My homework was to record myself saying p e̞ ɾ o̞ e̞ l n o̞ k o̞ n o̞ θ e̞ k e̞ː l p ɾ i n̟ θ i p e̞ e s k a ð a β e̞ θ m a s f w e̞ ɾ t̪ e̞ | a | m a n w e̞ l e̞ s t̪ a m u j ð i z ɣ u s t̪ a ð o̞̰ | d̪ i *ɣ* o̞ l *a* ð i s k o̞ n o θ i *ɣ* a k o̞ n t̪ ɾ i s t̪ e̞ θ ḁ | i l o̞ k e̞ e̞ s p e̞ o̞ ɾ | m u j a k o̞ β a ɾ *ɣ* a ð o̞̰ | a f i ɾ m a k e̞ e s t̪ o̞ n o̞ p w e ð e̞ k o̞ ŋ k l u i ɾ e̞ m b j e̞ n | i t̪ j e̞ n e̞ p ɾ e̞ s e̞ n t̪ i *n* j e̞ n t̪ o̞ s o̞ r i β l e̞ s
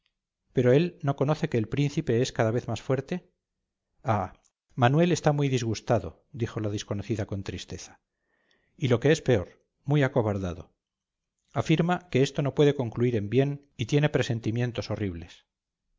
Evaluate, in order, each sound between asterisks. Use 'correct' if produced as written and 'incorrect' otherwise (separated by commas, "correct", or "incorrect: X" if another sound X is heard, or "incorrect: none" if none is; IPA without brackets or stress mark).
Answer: incorrect: x, correct, incorrect: ð, incorrect: ð, incorrect: m